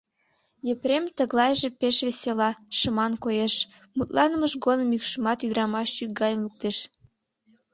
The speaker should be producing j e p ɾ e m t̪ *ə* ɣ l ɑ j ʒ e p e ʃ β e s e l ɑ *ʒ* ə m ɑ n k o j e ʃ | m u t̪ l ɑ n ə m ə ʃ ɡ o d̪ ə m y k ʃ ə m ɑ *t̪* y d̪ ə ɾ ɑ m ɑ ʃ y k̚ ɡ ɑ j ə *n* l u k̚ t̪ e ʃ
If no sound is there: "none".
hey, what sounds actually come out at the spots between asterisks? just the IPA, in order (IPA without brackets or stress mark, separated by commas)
ə, ʃ, t̪, m